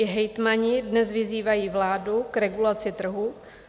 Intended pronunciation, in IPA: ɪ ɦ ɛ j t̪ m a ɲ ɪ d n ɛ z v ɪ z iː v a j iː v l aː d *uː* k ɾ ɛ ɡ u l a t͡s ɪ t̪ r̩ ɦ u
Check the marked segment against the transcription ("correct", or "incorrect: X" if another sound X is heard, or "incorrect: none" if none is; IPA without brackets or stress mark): incorrect: u